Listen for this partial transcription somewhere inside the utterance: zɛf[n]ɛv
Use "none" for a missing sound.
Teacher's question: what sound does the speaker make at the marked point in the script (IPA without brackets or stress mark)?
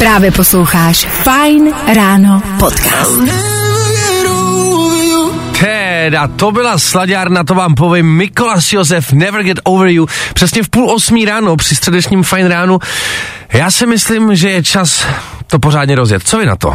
n